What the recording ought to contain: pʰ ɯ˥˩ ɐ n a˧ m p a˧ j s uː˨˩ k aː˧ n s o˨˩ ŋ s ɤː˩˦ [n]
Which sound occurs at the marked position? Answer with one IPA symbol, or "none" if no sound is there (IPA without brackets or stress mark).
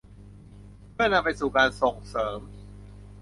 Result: m